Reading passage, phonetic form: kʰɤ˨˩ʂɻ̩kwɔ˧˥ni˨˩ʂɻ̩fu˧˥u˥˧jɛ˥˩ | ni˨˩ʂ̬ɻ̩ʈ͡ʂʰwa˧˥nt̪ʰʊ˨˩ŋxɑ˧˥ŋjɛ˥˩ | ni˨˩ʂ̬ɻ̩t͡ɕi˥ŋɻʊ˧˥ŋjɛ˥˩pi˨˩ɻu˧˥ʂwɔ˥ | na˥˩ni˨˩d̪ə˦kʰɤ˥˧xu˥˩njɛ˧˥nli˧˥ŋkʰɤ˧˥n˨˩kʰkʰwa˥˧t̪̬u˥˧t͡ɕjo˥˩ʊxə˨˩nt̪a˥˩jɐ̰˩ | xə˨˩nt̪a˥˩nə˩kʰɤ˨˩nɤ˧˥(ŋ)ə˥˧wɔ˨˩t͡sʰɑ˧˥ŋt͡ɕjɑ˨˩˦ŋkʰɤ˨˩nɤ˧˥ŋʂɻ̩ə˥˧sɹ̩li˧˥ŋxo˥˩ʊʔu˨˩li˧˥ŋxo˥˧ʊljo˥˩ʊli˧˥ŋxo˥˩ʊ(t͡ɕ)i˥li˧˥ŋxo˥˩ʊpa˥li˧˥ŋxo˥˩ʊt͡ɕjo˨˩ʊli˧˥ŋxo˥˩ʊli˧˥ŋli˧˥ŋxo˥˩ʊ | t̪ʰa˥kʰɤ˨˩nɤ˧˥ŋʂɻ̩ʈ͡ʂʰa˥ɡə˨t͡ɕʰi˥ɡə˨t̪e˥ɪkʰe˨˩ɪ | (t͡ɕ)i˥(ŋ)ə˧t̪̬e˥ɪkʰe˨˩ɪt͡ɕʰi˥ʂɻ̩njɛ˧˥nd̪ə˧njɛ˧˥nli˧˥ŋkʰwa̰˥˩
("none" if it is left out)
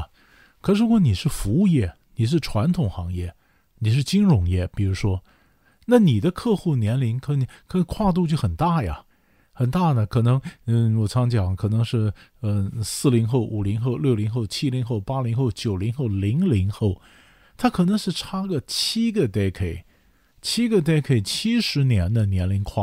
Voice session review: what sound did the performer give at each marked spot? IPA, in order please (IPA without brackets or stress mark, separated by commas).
ŋ, t͡ɕʰ, t͡ɕʰ, ɡ